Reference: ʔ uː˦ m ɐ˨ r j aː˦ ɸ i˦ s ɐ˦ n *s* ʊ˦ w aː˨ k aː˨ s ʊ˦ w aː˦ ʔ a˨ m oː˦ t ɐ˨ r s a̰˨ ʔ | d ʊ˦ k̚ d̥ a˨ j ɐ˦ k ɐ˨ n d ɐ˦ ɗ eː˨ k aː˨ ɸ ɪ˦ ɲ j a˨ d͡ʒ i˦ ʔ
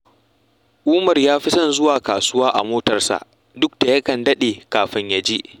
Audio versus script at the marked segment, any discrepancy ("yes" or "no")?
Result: yes